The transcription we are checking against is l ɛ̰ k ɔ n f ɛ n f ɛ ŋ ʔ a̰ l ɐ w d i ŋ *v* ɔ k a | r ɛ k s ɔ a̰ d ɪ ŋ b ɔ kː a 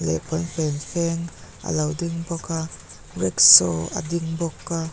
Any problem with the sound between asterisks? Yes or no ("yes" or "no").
yes